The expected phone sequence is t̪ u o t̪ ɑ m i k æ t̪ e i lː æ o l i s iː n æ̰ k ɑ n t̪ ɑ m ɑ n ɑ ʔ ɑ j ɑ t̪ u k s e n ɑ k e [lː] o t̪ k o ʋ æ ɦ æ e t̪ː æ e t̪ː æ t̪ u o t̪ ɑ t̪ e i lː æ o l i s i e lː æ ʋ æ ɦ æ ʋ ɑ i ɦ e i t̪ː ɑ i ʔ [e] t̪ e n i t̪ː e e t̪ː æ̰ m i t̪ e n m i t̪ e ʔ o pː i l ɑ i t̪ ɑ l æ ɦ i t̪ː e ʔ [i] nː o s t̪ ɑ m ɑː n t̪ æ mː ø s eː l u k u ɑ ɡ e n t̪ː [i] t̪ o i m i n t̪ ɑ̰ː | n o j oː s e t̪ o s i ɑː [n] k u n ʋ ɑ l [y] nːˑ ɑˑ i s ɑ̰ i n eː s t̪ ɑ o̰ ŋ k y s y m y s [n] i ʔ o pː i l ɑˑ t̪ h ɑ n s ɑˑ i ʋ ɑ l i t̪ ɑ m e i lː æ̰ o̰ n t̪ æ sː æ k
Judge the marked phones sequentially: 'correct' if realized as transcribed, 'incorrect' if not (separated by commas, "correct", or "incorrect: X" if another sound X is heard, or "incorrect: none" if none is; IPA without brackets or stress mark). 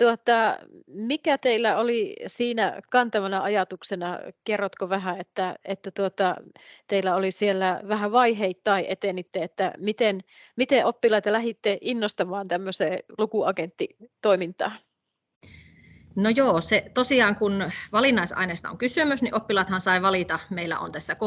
incorrect: rː, correct, correct, correct, incorrect: ŋ, incorrect: i, correct